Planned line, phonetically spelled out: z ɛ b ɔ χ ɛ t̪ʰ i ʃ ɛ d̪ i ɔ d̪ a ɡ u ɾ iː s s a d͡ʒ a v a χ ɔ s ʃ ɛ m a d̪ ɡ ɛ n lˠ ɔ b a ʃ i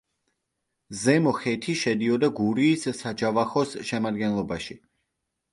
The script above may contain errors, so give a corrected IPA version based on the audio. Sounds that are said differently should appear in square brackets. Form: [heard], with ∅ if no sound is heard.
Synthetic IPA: z ɛ [m] ɔ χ ɛ t̪ʰ i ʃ ɛ d̪ i ɔ d̪ a ɡ u ɾ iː s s a d͡ʒ a v a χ ɔ s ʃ ɛ m a d̪ ɡ ɛ n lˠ ɔ b a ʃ i